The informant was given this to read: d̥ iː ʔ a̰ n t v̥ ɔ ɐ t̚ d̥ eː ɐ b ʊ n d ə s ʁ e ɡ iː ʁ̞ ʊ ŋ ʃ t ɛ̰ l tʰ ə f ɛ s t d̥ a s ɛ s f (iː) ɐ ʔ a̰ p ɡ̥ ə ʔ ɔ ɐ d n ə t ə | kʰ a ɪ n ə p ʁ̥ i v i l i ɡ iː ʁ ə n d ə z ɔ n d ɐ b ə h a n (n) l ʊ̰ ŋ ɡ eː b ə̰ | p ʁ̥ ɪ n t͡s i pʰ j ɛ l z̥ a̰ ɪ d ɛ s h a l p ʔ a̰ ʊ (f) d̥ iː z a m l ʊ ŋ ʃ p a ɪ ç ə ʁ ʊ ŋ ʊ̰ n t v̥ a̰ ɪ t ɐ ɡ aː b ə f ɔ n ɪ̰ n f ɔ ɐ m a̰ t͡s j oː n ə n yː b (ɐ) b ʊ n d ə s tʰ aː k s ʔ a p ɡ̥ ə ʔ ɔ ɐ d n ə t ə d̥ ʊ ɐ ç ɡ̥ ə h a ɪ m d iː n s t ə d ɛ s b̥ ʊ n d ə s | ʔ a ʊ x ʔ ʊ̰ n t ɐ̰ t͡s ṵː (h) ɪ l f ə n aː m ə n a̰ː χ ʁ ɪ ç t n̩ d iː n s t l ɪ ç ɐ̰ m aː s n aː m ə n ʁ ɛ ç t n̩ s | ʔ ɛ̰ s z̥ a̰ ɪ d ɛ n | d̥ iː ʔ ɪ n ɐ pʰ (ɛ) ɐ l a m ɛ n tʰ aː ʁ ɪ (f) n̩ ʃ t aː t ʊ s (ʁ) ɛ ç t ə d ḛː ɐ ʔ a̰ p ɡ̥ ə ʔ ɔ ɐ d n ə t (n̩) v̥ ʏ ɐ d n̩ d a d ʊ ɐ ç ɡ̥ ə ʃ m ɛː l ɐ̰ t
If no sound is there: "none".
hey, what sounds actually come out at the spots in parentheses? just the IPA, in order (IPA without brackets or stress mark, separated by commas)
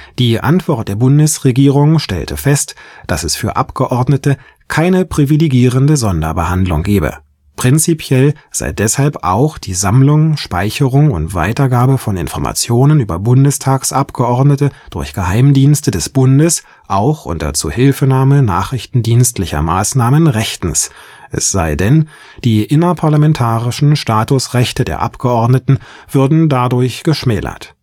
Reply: yː, d, x, ɐ, h, a, ʃ, ʁ, n̩